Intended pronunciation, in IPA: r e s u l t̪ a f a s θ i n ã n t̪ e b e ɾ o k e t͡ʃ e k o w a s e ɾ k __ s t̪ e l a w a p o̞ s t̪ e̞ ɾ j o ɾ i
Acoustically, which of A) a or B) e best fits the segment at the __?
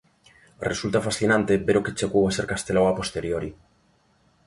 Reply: A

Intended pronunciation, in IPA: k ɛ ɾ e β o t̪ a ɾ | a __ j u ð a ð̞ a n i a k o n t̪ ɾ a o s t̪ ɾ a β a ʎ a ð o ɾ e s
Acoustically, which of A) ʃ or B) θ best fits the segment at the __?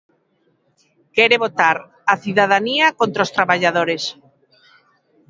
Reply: B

